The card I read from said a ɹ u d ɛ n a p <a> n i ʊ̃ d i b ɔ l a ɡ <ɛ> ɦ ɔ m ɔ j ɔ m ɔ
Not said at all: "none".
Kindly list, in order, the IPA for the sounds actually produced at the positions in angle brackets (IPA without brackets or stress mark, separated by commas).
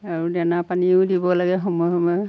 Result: a, ɛ